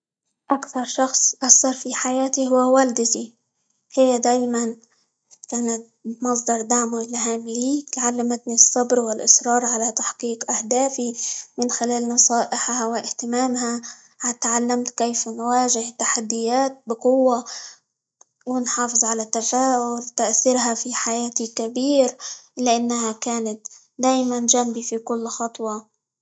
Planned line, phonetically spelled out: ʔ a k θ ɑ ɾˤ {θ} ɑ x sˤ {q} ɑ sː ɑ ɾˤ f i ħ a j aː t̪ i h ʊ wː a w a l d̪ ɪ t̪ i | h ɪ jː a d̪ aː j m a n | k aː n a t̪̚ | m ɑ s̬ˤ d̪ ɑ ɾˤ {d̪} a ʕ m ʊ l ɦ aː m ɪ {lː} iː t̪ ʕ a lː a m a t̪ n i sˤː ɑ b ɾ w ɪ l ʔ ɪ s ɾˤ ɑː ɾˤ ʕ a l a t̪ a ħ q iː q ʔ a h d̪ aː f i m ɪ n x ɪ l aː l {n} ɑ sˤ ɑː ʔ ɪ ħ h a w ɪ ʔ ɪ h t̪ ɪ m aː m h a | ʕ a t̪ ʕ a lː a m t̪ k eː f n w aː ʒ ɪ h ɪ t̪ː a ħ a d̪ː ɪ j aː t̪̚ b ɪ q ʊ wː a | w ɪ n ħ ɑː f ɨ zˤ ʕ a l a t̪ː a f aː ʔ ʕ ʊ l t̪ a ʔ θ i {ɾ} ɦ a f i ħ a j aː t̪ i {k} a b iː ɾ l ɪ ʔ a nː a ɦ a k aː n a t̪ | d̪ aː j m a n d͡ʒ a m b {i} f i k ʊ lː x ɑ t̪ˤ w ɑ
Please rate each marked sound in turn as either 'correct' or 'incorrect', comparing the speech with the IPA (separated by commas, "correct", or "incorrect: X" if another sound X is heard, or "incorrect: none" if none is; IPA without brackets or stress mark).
incorrect: ʃ, incorrect: ʔ, correct, incorrect: l, correct, correct, correct, correct